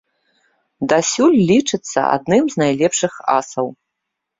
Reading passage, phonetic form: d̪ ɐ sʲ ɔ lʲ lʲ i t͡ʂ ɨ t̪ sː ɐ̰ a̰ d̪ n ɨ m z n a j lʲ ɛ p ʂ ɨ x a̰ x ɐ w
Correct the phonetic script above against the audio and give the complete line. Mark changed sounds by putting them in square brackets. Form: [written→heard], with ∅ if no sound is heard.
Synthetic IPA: d̪ [ɐ→a] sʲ [ɔ→u] lʲ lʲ i t͡ʂ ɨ t̪ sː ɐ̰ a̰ d̪ n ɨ m z n a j lʲ ɛ p ʂ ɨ x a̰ [x→s] ɐ w